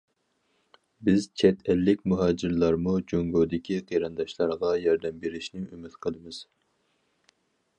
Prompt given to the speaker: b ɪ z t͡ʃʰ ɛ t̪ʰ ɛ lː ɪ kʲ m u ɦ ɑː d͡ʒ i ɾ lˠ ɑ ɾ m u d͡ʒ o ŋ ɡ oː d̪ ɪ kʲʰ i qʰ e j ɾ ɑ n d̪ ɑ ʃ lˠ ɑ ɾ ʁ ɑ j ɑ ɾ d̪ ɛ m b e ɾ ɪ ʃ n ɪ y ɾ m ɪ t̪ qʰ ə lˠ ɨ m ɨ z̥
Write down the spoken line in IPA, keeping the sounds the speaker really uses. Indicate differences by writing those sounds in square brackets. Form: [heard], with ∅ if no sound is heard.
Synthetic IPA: b ɪ z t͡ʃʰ ɛ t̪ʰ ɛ lː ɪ kʲ m u ɦ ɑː d͡ʒ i ɾ lˠ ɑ ɾ m u d͡ʒ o ŋ ɡ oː d̪ ɪ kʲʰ i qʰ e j ɾ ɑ n d̪ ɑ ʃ lˠ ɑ ɾ ʁ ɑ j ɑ ɾ d̪ ɛ m b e ɾ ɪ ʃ n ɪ y [∅] m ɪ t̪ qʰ ə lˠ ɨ m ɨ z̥